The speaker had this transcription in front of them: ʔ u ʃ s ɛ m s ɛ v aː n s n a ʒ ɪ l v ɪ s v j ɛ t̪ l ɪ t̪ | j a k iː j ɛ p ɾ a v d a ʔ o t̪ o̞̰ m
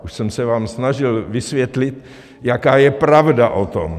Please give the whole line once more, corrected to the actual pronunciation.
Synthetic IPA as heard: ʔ u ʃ s ɛ m s ɛ v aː m s n a ʒ ɪ l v ɪ s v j ɛ t̪ l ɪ t̪ | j a k aː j ɛ p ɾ a v d a ʔ o t̪ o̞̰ m